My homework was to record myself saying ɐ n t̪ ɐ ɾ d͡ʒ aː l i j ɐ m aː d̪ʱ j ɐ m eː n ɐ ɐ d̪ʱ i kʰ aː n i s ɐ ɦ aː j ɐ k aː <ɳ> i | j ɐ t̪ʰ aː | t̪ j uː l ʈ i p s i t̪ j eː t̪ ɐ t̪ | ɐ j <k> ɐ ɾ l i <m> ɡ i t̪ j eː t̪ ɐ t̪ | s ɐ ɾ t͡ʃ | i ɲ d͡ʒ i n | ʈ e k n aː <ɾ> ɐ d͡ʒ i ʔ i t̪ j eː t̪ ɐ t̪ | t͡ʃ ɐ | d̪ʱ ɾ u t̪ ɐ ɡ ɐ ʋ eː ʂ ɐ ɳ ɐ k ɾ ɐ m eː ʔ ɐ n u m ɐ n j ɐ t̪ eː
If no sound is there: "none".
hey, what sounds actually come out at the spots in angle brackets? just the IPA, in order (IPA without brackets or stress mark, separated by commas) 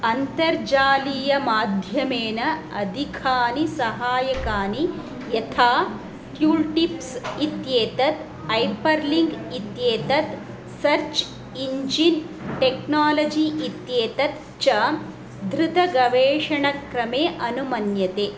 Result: n, p, ŋ, l